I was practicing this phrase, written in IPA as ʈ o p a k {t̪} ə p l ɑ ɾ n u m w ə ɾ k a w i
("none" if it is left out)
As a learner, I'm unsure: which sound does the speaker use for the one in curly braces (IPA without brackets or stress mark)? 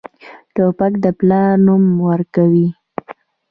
d̪